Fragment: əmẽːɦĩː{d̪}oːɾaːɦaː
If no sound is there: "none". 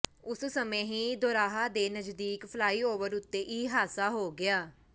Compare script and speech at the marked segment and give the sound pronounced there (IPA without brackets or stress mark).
d̪